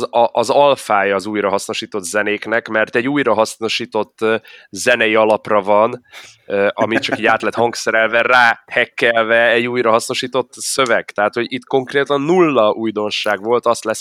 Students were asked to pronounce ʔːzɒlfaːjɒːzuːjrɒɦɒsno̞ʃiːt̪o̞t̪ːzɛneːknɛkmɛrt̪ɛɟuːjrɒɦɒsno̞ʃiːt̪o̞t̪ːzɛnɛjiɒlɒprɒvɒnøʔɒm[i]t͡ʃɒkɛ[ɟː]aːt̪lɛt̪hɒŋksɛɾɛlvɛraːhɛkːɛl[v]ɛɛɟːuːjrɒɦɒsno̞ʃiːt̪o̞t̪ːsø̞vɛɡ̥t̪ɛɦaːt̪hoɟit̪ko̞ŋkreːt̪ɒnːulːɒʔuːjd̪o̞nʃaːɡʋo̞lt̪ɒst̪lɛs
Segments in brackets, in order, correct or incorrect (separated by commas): correct, incorrect, correct